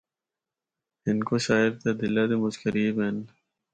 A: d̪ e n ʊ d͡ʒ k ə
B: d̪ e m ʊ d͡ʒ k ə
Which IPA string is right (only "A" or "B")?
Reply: B